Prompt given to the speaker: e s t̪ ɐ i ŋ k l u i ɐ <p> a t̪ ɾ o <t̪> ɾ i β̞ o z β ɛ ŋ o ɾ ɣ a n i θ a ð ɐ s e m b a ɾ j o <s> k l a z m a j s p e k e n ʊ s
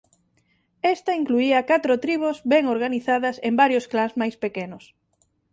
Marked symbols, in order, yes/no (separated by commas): no, yes, yes